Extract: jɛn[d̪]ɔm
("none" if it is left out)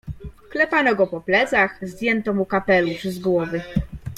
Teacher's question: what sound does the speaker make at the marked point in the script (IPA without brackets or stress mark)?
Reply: t̪